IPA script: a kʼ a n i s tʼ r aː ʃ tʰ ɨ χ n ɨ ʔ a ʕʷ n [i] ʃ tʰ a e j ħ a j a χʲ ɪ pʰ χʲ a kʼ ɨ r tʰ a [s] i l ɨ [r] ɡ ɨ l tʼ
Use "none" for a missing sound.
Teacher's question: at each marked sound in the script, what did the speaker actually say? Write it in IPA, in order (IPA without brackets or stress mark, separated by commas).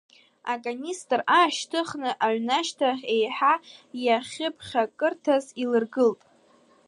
a, z, r